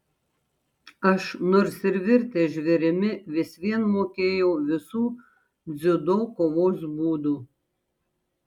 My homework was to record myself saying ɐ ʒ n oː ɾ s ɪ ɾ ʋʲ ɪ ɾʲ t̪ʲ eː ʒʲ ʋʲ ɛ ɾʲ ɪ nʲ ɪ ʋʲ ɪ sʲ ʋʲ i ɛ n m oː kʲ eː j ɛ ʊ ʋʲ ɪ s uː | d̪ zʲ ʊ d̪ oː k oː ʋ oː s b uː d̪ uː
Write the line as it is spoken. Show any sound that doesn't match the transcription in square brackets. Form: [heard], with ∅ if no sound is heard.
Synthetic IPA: ɐ [ʃ] n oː ɾ s ɪ ɾ ʋʲ ɪ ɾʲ t̪ʲ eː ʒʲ ʋʲ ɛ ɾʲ ɪ [mʲ] ɪ ʋʲ ɪ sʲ ʋʲ i ɛ n m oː kʲ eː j ɛ ʊ ʋʲ ɪ s uː | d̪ zʲ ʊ d̪ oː k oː ʋ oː s b uː d̪ uː